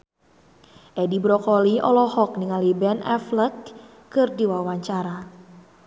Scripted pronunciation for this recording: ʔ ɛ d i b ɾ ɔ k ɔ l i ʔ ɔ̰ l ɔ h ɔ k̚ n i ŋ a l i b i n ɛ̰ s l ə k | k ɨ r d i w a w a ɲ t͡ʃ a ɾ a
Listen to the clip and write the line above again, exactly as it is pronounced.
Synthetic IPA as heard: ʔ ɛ d i b ɾ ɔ k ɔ l i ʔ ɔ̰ l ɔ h ɔ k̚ n i ŋ a l i b ɛ n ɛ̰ f l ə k | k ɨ r d i w a w a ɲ t͡ʃ a ɾ a